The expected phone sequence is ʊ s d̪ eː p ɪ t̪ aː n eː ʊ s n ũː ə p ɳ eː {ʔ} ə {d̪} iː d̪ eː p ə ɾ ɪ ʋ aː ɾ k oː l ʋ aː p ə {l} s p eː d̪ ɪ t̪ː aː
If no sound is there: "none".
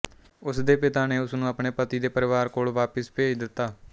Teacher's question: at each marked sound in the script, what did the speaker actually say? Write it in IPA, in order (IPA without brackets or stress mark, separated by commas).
p, t̪, none